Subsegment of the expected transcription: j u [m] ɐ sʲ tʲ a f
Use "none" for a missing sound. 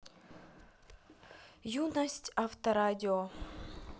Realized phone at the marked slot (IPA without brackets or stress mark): n